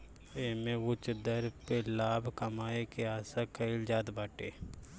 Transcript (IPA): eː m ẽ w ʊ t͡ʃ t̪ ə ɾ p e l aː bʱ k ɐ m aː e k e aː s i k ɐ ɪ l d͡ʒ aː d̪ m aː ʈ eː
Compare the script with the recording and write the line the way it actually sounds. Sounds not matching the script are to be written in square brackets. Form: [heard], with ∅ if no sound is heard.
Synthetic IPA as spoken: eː m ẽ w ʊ t͡ʃ [d̪] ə ɾ p e l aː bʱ k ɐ m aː e k e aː s [a] k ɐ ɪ l d͡ʒ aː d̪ [b] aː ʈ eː

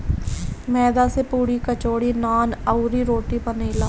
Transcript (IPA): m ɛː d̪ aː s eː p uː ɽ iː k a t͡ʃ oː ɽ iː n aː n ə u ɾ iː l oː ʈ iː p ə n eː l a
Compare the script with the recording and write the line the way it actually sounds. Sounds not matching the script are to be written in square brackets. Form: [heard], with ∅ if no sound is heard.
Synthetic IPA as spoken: m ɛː d̪ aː s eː p uː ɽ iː k [ə] t͡ʃ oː ɽ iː n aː n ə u ɾ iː [ɾ] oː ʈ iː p ə n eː l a

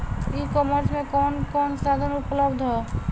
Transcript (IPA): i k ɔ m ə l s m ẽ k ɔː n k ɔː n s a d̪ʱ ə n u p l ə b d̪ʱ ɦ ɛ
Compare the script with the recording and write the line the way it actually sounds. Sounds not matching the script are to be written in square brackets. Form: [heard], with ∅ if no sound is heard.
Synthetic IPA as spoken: i k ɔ m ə [ɾ] s m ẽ k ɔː n k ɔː n s a d̪ʱ ə n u p l ə b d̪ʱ ɦ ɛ

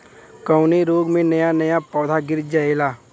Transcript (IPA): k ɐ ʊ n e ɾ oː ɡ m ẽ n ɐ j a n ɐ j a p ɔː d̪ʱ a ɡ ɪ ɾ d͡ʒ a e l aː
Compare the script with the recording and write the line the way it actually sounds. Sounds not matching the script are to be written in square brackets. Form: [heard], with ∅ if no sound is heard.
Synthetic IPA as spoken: k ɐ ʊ n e ɾ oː ɡ m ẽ n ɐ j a n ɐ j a p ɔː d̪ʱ a ɡ ɪ ɾ d͡ʒ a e l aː

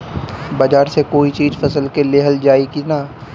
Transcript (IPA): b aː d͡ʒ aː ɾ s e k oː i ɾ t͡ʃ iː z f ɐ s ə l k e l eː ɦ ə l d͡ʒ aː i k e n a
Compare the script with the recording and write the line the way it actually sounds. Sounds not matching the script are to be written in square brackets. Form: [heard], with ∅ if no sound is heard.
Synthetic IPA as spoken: b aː d͡ʒ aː ɾ s e k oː i [∅] t͡ʃ iː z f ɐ s ə l k e l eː ɦ ə l d͡ʒ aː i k [i] n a

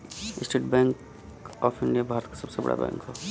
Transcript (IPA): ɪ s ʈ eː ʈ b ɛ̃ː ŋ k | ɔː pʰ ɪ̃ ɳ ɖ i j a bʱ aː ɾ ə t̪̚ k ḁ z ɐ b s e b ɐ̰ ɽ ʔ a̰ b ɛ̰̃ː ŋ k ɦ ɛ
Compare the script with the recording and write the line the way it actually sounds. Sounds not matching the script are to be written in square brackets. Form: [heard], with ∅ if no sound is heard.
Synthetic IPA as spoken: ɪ s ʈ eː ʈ b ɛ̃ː ŋ k | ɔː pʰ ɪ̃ ɳ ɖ i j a bʱ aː ɾ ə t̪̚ k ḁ [s] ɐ b s e b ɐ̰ ɽ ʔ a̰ b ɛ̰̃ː ŋ k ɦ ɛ

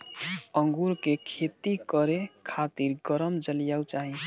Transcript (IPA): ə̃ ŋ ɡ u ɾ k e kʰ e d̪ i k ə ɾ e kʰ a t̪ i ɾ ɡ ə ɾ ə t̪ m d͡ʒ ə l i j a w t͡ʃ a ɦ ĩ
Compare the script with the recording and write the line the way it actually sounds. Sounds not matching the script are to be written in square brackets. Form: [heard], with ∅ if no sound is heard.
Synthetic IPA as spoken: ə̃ ŋ ɡ u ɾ k e kʰ e [t̪] i k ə ɾ e kʰ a t̪ i ɾ ɡ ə ɾ ə [∅] m d͡ʒ ə l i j a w t͡ʃ a ɦ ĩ

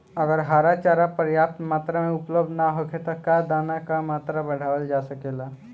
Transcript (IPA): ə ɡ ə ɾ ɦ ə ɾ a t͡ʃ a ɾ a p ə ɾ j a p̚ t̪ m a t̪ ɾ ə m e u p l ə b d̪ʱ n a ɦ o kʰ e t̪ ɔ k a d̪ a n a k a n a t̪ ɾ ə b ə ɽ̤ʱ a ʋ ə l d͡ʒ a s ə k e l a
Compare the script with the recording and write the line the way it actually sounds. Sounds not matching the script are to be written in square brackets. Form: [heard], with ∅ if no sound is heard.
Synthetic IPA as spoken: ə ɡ ə ɾ ɦ [a] ɾ a t͡ʃ a ɾ a p ə ɾ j a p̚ t̪ m a t̪ ɾ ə m e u p l ə b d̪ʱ n a ɦ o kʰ e t̪ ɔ k a d̪ a n a k a [m] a t̪ ɾ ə b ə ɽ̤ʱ a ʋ ə l d͡ʒ a s ə k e l a

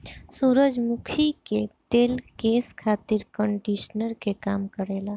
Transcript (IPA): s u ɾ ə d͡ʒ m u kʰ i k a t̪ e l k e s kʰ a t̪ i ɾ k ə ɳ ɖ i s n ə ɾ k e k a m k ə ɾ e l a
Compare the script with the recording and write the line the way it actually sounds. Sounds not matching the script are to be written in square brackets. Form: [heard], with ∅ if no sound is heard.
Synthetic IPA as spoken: s u ɾ ə d͡ʒ m u kʰ i k [e] t̪ e l k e s kʰ a t̪ i ɾ k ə ɳ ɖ i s n ə ɾ k e k a m k ə ɾ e l a

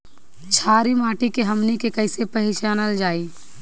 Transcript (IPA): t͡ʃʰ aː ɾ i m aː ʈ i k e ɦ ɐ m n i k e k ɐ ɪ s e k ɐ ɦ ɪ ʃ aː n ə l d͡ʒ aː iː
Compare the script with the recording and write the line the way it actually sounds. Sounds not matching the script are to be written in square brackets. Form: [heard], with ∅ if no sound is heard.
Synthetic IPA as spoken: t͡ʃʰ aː ɾ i m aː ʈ i k e ɦ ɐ m n i k e k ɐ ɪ s e [p] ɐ ɦ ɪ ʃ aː n ə l d͡ʒ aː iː

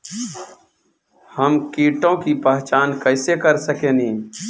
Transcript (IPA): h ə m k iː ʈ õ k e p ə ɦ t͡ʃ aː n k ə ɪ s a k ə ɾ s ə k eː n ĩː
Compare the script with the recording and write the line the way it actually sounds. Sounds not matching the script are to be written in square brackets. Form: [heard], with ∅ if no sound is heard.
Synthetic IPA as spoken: h ə m k iː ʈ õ k [i] p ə ɦ t͡ʃ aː n k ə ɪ s [e] k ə ɾ s ə k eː n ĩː

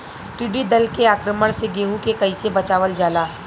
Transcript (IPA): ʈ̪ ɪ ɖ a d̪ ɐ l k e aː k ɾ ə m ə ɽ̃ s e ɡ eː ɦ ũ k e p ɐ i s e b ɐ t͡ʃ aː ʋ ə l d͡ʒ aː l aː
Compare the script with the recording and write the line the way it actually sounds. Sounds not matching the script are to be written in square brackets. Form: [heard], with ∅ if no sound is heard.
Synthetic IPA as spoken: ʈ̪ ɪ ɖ [i] d̪ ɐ l k e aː k ɾ ə m ə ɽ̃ s e ɡ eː ɦ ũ k e [k] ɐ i s e b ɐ t͡ʃ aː ʋ ə l d͡ʒ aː l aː

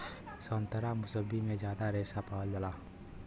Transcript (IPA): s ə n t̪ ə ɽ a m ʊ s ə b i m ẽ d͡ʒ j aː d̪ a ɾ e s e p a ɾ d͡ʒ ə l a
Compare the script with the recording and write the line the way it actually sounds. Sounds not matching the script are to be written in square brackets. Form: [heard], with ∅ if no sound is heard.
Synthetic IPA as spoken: s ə n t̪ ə [ɾ] a m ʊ s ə b i m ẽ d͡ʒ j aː d̪ a ɾ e s [a] p a [l] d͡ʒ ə l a

